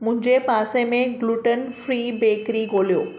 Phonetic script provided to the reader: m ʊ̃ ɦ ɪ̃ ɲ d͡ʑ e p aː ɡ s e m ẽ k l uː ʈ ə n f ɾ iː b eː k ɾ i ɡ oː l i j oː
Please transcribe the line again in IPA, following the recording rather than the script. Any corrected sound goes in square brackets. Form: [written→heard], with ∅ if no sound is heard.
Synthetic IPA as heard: m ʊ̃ ɦ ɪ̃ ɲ d͡ʑ e p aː [ɡ→∅] s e m ẽ [k→ɡ] l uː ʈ ə n f ɾ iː b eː k ɾ i ɡ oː l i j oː